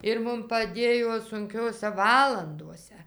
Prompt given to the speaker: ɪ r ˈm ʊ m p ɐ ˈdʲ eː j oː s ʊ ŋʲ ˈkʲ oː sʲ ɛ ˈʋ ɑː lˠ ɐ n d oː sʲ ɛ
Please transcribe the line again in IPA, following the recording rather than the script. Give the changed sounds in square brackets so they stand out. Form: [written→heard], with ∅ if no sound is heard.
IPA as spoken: ɪ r ˈm ʊ m p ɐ ˈdʲ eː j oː s ʊ ŋʲ ˈkʲ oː sʲ ɛ ˈʋ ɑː lˠ ɐ n d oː sʲ ɛ